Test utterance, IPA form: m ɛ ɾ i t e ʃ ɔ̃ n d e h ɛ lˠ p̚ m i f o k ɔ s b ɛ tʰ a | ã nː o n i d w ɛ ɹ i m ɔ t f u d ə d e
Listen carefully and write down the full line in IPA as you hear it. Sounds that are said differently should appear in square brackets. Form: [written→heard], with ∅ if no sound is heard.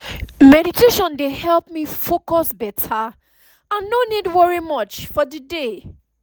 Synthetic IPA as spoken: m ɛ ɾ i t e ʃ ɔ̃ n d e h ɛ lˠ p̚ m i f o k ɔ s b ɛ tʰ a | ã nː o n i d w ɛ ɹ i m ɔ [t→t͡ʃ] f [u→ɔ] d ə d e